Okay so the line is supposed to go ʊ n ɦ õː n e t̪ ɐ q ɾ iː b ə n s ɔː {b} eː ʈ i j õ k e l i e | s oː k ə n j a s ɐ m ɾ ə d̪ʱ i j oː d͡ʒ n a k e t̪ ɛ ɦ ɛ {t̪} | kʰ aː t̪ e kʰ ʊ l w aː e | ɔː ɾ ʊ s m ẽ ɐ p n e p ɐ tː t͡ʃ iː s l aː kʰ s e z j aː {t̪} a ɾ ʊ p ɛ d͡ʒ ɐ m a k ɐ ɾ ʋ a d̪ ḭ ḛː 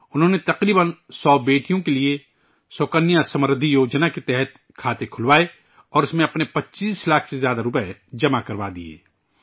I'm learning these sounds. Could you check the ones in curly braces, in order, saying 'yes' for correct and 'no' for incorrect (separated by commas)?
yes, yes, no